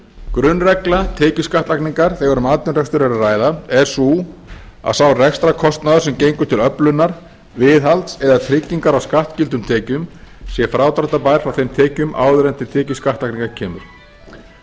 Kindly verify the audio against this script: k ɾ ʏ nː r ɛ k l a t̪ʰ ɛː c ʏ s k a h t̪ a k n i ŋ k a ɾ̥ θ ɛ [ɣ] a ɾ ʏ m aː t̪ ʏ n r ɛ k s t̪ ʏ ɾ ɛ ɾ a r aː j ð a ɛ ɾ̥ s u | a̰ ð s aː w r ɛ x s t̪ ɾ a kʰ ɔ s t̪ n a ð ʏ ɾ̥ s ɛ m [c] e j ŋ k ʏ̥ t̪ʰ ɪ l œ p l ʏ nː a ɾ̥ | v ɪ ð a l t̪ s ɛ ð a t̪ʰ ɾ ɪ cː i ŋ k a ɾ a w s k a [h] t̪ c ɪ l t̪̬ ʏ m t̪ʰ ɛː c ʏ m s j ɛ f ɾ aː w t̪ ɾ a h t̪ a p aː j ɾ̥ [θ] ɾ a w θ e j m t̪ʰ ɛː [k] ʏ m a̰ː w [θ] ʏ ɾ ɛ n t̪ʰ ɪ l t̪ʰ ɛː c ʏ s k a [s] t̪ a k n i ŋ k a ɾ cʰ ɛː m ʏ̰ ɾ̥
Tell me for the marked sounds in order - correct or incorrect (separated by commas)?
correct, correct, correct, incorrect, incorrect, incorrect, incorrect